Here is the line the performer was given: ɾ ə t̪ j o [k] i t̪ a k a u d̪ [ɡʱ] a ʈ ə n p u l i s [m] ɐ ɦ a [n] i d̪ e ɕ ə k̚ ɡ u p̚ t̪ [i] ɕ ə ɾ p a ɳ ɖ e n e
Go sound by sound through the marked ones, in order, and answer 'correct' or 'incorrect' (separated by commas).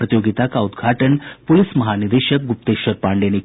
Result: incorrect, correct, correct, correct, incorrect